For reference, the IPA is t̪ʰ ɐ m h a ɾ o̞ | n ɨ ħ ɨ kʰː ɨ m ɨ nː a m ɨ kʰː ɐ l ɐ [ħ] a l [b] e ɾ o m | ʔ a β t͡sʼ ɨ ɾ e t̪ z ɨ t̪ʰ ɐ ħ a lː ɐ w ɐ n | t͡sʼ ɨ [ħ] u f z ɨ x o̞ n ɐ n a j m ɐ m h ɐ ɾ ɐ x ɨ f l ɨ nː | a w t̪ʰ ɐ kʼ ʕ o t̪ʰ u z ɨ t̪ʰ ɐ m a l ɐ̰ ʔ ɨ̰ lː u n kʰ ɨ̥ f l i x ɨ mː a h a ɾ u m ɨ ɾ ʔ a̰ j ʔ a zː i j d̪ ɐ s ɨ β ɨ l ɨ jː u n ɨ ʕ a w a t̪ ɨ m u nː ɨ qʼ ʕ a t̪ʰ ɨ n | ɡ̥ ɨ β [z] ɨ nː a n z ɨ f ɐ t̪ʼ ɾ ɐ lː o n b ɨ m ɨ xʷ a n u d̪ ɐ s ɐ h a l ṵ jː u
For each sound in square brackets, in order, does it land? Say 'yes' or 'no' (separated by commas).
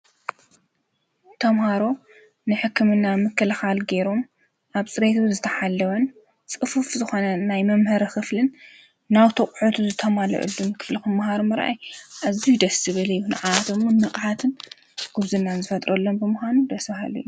no, no, no, yes